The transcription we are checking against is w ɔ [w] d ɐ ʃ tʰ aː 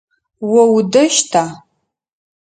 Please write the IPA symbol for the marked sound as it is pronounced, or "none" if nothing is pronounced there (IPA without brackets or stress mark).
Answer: w